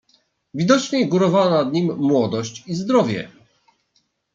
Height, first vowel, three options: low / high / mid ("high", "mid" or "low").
high